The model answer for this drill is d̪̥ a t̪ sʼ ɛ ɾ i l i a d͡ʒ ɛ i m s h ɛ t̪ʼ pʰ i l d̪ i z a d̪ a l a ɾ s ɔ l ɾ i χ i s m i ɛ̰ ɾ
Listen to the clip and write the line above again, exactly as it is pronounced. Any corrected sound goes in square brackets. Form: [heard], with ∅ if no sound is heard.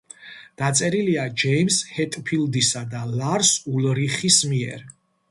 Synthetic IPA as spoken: d̪̥ a t̪ sʼ ɛ ɾ i l i a d͡ʒ ɛ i m s h ɛ t̪ʼ pʰ i l d̪ i [s] a d̪ a l a ɾ s [u] l ɾ i χ i s m i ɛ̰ ɾ